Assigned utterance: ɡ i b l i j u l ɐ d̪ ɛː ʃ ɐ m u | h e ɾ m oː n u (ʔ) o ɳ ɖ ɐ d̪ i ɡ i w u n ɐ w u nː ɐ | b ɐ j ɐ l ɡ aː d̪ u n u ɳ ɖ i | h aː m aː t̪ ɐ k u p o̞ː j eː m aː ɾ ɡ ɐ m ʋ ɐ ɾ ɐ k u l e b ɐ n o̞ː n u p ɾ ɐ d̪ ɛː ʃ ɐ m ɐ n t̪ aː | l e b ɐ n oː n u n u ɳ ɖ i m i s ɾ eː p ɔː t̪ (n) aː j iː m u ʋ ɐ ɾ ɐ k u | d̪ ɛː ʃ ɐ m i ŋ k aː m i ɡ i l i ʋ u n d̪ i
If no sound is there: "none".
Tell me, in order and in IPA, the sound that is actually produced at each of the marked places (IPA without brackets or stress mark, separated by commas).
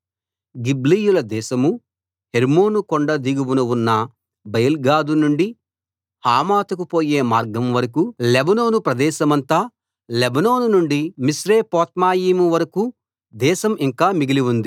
k, m